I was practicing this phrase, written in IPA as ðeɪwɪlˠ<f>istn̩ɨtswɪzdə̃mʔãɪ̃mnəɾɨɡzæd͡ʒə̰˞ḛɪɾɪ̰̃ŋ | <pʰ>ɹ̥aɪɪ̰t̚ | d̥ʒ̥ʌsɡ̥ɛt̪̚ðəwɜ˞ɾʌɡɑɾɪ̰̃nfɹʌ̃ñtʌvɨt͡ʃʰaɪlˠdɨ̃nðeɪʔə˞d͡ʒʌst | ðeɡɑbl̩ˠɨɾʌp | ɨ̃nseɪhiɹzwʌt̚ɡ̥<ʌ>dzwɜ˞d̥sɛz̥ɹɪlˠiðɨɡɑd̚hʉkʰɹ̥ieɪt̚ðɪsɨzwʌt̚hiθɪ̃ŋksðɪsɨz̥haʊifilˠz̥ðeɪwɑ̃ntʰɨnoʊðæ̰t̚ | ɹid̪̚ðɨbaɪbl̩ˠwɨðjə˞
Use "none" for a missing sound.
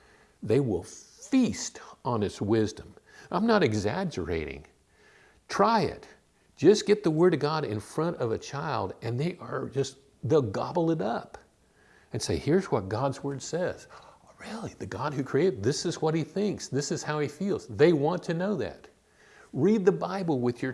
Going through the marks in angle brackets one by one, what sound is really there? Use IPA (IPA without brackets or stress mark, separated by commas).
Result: f, tʰ, ɑ